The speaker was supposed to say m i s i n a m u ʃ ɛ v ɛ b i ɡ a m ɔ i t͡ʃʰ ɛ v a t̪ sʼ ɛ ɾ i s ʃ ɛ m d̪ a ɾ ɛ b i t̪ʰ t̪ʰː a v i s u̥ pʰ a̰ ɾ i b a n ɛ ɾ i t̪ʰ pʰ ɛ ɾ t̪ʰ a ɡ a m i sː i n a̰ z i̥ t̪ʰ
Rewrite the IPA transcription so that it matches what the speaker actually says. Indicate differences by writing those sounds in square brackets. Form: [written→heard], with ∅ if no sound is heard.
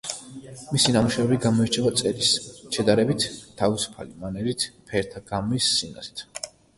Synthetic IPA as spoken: m i s i n a m u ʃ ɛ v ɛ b i ɡ a m ɔ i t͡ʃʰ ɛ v a t̪ sʼ ɛ ɾ i s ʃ ɛ [m→∅] d̪ a ɾ ɛ b i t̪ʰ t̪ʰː a v i s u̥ pʰ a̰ [ɾ→l] i [b→m] a n ɛ ɾ i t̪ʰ pʰ ɛ ɾ t̪ʰ a ɡ a m i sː i n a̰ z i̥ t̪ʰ